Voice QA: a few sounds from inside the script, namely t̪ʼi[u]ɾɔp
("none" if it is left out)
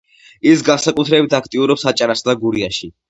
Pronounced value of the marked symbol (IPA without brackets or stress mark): u